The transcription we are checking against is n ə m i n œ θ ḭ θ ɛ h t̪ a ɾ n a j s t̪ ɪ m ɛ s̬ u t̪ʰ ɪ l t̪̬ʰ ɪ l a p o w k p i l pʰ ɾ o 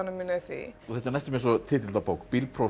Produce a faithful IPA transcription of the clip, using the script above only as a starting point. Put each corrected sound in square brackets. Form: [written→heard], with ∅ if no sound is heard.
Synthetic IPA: n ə m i n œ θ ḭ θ ɛ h t̪ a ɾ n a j s t̪ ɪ m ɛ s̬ [u→ɔ] t̪ʰ ɪ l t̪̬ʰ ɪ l a p o w k p i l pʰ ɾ o